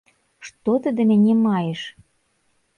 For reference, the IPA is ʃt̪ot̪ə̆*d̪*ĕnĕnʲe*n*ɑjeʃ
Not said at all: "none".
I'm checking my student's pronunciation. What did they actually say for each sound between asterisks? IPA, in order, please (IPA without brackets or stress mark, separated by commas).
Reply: d̪, m